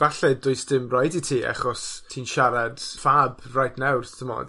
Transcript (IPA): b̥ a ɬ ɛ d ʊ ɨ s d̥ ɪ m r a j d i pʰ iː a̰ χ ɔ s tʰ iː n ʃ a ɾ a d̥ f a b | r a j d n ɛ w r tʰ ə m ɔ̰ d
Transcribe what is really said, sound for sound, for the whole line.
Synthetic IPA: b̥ a ɬ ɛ d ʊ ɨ s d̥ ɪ m r a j d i tʰ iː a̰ χ ɔ s tʰ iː n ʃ a ɾ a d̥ f a b | r a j d n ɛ w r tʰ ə m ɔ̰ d